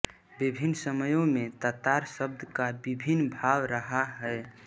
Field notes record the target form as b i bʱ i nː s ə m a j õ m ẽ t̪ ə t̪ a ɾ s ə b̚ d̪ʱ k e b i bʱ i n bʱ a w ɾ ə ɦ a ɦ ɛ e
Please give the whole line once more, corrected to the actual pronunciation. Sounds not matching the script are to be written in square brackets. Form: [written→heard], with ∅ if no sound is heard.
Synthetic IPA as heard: b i bʱ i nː s ə m [a→ə] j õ m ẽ t̪ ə t̪ a ɾ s ə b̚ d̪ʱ k [e→a] b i bʱ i n bʱ a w ɾ ə ɦ a ɦ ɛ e